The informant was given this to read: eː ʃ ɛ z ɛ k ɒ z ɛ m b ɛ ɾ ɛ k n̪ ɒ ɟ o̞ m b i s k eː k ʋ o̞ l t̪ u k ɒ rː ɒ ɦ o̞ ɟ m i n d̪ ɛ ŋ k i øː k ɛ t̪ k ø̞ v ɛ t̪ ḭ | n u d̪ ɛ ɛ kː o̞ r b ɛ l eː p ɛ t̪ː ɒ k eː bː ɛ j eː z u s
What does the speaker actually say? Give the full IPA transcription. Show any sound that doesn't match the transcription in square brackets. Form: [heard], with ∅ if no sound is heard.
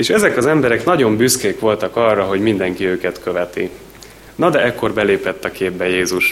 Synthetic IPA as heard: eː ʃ ɛ z ɛ k ɒ z ɛ m b ɛ ɾ ɛ k n̪ ɒ ɟ o̞ m b [y] s k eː k ʋ o̞ l t̪ [ɒ] k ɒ rː ɒ ɦ o̞ ɟ m i n d̪ ɛ ŋ k i øː k ɛ t̪ k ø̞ v ɛ t̪ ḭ | n [ɒ] d̪ ɛ ɛ kː o̞ r b ɛ l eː p ɛ t̪ː ɒ k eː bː ɛ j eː z u [ʃ]